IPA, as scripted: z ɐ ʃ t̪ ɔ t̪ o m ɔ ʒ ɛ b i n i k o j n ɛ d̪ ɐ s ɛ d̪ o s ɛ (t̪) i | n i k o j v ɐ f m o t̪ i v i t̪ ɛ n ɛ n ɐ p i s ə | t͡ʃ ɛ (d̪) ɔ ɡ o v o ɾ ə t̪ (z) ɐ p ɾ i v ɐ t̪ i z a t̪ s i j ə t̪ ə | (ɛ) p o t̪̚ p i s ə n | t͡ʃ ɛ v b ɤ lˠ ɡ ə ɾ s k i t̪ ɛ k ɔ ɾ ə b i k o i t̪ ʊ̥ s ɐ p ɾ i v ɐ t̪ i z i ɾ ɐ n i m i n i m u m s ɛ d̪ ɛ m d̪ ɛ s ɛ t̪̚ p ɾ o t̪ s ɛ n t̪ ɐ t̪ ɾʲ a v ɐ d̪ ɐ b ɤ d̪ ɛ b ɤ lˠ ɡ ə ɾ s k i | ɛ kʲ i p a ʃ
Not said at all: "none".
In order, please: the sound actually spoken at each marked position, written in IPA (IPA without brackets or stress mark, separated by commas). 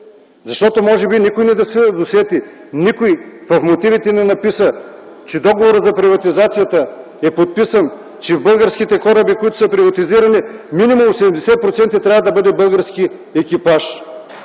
t̪, d̪, z, ɛ